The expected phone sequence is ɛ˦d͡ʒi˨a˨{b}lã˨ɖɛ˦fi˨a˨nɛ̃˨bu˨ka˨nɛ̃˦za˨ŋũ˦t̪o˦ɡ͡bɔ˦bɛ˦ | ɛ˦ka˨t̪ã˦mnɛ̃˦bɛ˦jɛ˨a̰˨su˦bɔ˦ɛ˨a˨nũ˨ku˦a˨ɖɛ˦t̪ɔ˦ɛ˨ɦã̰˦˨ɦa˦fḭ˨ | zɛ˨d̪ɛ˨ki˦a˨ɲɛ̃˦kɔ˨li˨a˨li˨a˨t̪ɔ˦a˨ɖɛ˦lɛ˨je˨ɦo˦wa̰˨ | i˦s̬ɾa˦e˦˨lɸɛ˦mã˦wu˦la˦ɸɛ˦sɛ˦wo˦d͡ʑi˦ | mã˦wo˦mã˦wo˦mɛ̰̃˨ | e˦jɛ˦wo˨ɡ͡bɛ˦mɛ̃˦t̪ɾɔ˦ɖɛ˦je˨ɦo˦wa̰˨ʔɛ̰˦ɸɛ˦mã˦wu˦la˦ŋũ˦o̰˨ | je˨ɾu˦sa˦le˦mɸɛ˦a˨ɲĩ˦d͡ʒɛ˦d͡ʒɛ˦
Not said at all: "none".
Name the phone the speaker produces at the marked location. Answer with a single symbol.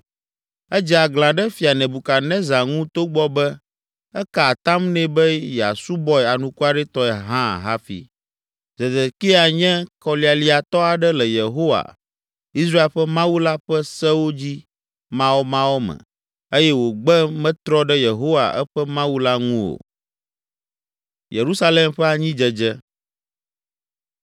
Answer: ɡ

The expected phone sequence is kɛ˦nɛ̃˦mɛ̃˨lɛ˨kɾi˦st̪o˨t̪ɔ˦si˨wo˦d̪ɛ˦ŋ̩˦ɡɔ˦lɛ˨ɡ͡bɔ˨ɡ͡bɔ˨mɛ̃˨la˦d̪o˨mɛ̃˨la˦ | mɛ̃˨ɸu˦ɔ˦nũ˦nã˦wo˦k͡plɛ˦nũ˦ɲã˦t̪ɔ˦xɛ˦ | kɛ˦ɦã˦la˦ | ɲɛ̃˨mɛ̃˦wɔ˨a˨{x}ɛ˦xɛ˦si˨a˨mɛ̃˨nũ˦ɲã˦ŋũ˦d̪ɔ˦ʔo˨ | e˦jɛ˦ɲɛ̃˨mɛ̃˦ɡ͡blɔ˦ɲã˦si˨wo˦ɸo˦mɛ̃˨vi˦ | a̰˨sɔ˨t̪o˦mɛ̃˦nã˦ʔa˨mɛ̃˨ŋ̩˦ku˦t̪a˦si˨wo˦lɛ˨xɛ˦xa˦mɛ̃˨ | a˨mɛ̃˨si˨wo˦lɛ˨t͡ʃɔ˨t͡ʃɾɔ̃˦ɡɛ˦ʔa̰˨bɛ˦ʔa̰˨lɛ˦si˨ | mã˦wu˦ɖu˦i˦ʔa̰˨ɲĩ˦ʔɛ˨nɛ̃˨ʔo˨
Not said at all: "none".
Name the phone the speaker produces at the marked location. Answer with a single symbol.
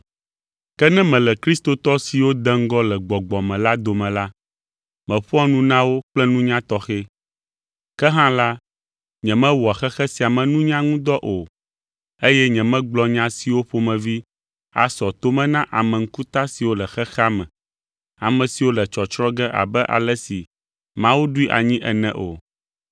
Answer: x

